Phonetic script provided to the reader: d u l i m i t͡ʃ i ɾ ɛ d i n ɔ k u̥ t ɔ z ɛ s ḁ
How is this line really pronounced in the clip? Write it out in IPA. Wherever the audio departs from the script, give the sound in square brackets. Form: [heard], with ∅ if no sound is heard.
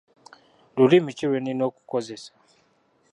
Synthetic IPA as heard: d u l i m i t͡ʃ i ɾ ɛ [n] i n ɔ k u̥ [k] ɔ z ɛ s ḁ